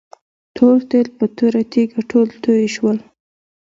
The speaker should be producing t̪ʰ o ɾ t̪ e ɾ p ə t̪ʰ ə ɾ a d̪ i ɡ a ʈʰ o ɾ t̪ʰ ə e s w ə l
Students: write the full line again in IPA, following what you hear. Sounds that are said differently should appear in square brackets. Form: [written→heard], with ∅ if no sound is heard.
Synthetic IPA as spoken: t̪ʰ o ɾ t̪ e [ɾ→l] p ə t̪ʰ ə ɾ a [d̪→t̪] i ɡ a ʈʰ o [ɾ→l] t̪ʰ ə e [s→ʃ] w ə l